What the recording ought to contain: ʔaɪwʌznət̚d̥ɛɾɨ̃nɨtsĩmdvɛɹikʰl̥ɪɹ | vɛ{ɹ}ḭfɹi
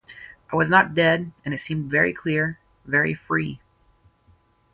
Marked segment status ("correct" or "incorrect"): correct